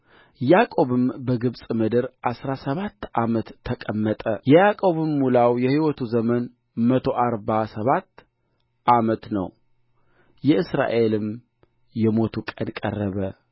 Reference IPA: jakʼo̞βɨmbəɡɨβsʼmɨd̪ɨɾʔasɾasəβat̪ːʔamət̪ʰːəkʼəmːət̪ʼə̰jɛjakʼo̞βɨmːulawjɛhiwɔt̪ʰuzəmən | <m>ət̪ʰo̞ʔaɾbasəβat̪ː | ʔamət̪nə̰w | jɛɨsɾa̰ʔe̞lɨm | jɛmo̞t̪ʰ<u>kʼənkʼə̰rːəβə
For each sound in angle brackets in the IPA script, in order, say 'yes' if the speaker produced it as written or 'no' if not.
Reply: yes, yes

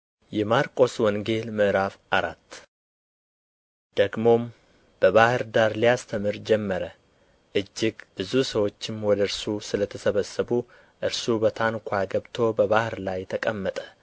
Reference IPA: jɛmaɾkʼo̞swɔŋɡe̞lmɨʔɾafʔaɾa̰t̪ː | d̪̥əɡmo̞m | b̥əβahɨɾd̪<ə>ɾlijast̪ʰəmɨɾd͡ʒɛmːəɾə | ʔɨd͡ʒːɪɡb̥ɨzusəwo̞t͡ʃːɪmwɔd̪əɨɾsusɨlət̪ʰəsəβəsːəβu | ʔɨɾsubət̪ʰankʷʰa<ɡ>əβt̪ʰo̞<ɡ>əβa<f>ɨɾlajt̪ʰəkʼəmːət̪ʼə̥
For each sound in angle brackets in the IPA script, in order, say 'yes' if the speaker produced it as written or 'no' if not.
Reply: no, yes, no, no

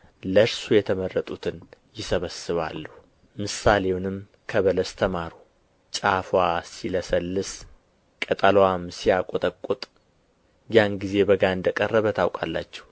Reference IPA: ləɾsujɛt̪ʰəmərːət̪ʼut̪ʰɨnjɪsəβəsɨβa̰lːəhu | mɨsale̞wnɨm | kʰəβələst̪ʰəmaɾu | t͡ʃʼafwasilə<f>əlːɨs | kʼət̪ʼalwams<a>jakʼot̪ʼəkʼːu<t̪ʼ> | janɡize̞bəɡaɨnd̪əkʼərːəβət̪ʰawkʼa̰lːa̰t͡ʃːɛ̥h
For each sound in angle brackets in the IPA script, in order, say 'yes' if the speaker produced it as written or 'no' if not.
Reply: no, no, yes

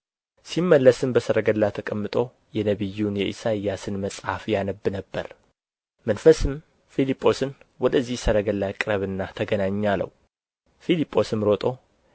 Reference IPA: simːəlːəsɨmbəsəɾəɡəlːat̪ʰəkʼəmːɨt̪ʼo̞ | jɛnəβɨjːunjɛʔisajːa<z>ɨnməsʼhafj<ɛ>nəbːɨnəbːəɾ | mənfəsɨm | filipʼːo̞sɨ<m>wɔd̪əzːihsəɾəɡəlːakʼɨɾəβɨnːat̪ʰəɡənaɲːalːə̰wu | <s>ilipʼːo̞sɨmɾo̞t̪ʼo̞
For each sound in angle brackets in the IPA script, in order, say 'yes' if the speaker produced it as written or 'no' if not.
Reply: no, no, no, no

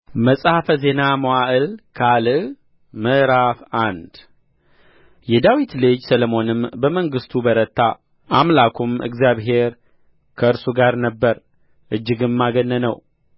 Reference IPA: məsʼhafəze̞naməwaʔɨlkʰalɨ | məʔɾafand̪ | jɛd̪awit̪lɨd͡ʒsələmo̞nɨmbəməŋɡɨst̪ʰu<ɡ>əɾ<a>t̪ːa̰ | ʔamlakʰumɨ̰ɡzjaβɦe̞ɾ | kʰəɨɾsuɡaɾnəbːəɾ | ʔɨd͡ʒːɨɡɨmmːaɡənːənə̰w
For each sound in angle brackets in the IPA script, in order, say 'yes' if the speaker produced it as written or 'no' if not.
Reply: no, no

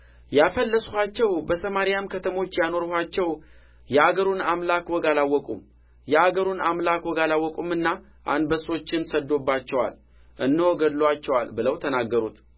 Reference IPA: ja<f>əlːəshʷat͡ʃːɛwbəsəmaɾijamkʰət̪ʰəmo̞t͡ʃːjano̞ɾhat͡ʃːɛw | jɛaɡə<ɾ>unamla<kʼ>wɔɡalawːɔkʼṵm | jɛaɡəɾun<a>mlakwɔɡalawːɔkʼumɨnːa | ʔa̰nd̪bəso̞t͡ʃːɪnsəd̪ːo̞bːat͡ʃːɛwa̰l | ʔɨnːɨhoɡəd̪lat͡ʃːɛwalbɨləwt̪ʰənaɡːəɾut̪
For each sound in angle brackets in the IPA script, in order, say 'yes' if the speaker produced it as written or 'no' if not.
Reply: yes, yes, no, yes

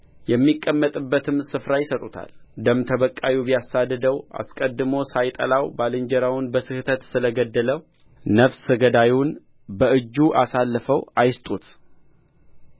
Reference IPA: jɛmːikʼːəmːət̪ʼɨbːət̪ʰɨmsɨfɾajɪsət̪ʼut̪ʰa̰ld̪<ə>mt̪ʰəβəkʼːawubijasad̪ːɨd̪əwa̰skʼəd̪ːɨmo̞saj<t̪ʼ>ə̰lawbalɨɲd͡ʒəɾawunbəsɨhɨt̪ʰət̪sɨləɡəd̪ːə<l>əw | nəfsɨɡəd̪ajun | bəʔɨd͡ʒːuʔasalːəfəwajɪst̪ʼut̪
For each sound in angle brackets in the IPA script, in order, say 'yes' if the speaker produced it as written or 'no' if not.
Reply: yes, yes, yes

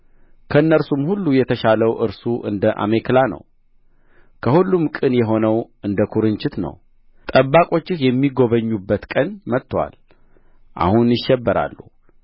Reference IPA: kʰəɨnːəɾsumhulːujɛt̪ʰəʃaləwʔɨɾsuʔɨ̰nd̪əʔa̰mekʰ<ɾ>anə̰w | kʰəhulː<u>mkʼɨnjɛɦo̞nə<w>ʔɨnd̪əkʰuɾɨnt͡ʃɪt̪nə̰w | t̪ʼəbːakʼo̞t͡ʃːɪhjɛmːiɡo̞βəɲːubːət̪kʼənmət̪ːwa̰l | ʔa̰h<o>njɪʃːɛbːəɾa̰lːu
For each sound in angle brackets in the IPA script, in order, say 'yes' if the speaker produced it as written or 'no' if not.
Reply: no, yes, yes, no

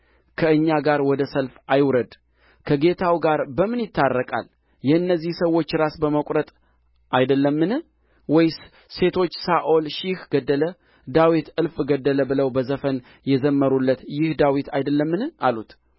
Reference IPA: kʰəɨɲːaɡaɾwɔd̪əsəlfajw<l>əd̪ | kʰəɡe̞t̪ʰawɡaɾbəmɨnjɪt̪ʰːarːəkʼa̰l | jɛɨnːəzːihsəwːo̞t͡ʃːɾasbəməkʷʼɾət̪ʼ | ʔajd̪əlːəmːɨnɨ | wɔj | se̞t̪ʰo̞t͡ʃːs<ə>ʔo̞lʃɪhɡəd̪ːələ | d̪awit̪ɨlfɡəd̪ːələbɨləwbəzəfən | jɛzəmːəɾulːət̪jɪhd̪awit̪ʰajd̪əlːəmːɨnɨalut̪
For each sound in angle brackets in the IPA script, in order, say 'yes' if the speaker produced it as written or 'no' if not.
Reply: no, no

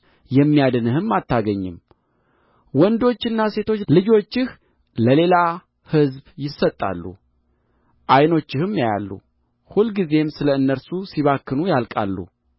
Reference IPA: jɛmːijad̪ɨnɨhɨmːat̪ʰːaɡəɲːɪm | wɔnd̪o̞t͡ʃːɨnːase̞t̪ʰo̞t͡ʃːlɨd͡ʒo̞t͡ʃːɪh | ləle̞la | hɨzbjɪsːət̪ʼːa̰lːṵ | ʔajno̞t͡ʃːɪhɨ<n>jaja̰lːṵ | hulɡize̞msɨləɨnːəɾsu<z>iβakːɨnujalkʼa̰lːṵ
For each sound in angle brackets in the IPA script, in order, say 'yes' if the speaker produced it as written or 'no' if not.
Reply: no, no

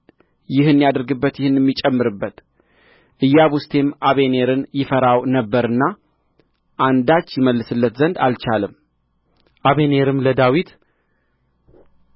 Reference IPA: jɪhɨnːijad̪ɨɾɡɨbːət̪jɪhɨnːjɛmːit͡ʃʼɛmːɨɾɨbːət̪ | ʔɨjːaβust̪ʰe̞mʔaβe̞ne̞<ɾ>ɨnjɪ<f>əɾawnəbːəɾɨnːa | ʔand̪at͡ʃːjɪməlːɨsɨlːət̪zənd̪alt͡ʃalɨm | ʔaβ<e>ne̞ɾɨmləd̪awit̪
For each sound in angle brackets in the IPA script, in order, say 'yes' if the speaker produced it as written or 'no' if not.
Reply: yes, yes, yes

